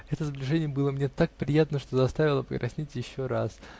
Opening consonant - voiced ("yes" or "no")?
no